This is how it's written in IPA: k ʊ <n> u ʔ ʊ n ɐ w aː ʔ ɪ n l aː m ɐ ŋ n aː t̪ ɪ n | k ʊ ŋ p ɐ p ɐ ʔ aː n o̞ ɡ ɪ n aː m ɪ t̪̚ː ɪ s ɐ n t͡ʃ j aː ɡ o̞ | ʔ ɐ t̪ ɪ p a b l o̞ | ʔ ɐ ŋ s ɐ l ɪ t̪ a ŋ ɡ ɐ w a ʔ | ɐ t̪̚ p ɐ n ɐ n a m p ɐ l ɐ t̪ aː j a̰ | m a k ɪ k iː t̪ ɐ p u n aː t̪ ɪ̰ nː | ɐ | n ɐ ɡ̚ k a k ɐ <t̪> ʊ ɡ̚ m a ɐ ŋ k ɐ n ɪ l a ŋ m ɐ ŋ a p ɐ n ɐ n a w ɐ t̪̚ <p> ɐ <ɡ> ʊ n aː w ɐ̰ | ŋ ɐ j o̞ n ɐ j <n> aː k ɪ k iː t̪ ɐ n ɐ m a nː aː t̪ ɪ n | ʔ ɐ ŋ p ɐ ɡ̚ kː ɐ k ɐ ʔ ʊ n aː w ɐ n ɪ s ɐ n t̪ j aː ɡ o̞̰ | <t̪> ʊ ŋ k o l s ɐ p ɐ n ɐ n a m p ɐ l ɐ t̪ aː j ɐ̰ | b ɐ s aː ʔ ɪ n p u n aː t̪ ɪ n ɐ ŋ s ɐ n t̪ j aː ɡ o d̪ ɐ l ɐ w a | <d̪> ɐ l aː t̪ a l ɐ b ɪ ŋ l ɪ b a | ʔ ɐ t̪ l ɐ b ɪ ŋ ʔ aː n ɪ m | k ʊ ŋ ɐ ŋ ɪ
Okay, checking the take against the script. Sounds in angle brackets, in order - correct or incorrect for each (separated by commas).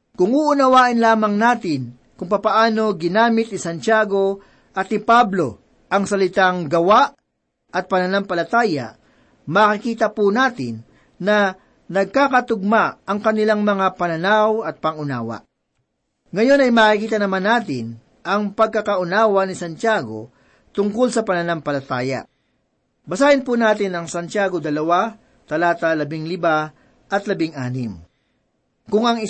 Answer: incorrect, correct, correct, incorrect, incorrect, correct, incorrect